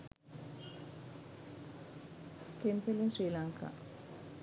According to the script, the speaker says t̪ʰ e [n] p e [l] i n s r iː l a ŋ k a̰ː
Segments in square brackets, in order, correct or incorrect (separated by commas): incorrect, correct